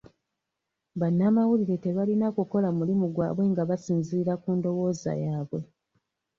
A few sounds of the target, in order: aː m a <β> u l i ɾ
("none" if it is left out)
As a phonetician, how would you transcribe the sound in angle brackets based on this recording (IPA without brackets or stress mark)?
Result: w